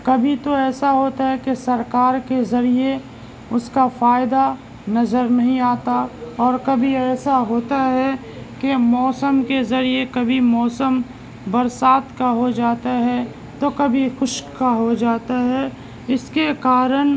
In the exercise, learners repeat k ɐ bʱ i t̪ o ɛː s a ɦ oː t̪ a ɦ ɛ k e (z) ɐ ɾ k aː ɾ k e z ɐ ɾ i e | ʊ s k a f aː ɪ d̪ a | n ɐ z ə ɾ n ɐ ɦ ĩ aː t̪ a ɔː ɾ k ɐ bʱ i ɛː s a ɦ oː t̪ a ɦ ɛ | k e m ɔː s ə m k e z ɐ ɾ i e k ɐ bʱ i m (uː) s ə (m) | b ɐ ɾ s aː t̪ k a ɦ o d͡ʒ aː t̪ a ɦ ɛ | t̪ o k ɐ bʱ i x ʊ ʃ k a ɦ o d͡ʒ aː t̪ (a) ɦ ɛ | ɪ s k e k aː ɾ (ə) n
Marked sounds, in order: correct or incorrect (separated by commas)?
incorrect, incorrect, correct, correct, correct